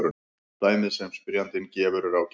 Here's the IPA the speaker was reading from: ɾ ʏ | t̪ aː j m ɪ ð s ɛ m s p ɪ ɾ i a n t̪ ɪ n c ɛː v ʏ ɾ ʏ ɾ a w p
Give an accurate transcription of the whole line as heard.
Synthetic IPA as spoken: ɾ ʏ | t̪ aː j m ɪ ð s ɛ m s p ɪ ɾ j a n t̪ ɪ n c ɛː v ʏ ɾ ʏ ɾ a w c

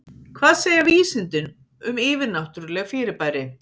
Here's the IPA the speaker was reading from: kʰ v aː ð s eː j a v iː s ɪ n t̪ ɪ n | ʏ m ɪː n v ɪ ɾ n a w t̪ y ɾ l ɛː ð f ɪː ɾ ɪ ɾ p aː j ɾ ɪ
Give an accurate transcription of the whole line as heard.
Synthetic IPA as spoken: kʰ v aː ð s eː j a v iː s ɪ n t̪ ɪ n | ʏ m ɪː v ɪ ɾ n a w t̪ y ɾ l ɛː ɣ f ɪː ɾ ɪ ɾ p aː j ɾ ɪ

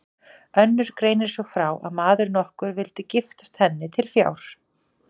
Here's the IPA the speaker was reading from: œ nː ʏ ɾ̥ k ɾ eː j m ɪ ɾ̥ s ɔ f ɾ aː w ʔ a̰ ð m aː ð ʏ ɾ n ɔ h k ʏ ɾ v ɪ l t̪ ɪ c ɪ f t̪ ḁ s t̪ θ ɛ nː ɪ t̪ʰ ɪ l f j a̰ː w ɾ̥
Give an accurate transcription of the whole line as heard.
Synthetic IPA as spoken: œ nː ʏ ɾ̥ k ɾ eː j n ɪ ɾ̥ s ɔ f ɾ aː w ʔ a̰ ð m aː ð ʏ ɾ n ɔ h k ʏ ɾ v ɪ l t̪ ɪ c ɪ f t̪ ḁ s t̪ h ɛ nː ɪ t̪ʰ ɪ l f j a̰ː w ɾ̥

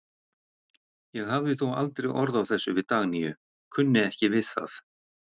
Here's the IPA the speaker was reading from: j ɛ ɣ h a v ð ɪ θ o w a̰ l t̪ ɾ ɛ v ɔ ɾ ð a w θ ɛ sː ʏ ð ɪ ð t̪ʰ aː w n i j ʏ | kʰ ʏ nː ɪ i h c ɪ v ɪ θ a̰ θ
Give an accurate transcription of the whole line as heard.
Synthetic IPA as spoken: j ɛ ɣ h a v ð ɪ θ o w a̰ l t̪ ɾ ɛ ɣ ɔ ɾ ð a w θ ɛ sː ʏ v ɪ ð t̪ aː ɣ n i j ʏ | kʰ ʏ nː ɪ ɛ h c ɪ v ɪ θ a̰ θ

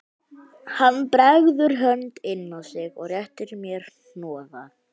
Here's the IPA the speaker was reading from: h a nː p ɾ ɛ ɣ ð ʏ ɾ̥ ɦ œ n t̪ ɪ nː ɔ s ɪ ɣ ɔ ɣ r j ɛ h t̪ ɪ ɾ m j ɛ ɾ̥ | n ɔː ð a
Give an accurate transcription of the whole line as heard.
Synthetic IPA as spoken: h a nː p ɾ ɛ ɣ ð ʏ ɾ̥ ɦ œ n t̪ ɪ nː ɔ s ɪ ɣ ɔ ɣ r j ɛ h t̪ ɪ ɾ m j ɛ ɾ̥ | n ɔː ð a

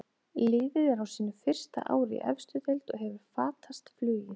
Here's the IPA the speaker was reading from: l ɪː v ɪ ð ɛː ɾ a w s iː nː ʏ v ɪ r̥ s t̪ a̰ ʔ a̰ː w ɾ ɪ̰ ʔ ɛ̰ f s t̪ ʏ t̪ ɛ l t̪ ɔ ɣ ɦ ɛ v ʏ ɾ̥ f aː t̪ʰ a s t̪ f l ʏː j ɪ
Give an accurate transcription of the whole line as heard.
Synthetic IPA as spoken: l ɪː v ɪ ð ɛ ɾ a w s iː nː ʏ f ɪ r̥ s t̪ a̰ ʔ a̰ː w ɾ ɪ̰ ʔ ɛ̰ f s t̪ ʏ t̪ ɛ l t̪ ɔ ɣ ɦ ɛ v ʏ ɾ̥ f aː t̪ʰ a s t̪ f l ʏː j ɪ

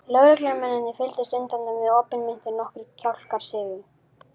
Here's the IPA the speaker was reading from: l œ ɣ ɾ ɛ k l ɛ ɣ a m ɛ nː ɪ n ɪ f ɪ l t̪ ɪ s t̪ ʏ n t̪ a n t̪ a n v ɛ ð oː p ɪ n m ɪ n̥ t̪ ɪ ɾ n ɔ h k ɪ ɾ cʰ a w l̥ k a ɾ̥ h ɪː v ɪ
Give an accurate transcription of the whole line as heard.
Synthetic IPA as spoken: l œ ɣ ɾ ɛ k l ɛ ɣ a m ɛ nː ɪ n ɪ f ɪ l t̪ ɪ s t̪ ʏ n t̪ a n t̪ a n v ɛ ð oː p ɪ n m ɪ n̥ t̪ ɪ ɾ n ɔ h k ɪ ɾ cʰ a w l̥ k a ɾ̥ s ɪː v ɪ

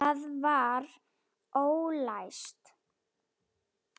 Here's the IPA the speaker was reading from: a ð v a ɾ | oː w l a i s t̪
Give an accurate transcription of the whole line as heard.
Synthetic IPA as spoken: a ð v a ɾ | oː w l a j s t̪

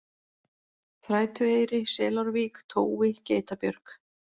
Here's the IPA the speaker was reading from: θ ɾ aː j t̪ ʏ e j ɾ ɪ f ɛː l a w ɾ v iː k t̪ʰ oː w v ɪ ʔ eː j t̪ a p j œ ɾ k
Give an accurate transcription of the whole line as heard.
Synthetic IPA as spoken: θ ɾ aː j t̪ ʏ e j ɾ ɪ s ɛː l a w ɾ v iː k t̪ʰ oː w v ɪ c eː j t̪ a p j œ ɾ k

